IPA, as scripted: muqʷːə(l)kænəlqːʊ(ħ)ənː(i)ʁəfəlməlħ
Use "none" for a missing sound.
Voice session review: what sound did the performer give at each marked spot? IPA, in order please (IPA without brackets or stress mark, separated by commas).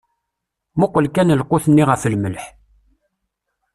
l, θ, i